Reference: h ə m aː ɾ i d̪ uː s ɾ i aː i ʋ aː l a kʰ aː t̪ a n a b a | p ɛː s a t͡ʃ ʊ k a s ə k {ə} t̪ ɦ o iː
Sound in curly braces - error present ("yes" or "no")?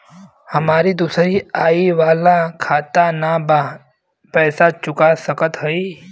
no